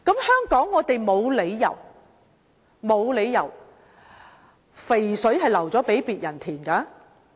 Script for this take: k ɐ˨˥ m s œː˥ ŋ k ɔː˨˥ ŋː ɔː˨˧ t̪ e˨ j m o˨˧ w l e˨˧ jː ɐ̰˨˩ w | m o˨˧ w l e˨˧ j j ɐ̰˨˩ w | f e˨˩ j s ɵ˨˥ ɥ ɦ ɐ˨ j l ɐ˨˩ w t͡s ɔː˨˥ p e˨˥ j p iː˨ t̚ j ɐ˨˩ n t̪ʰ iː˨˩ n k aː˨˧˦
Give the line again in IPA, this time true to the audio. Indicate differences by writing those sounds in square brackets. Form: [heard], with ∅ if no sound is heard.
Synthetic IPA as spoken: k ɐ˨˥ m [h] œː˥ ŋ k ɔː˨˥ ŋː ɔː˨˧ t̪ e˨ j m o˨˧ w l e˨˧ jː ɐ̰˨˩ w | m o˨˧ w l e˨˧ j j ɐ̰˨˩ w | f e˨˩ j s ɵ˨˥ ɥ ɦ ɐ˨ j l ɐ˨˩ w t͡s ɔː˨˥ p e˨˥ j p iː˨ t̚ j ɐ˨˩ n t̪ʰ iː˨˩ n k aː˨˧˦